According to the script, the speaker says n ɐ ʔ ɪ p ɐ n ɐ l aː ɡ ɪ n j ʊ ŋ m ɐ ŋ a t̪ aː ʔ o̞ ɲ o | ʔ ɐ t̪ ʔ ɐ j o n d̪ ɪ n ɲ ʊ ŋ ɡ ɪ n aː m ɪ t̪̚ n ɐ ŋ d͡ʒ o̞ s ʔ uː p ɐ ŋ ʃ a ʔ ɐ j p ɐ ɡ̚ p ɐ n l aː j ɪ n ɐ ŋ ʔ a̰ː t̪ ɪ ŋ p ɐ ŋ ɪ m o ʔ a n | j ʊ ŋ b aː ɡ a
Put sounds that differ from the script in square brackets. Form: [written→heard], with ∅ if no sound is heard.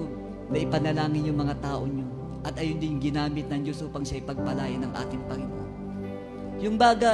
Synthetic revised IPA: n ɐ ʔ ɪ p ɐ n ɐ l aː [ɡ→ŋ] ɪ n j ʊ ŋ m ɐ ŋ a t̪ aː ʔ o̞ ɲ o | ʔ ɐ t̪ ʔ ɐ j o n d̪ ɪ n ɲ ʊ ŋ ɡ ɪ n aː m ɪ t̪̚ n ɐ ŋ d͡ʒ o̞ s ʔ uː p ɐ ŋ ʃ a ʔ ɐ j p ɐ ɡ̚ p ɐ [n→∅] l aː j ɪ n ɐ ŋ ʔ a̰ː t̪ ɪ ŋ p ɐ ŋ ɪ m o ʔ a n | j ʊ ŋ b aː ɡ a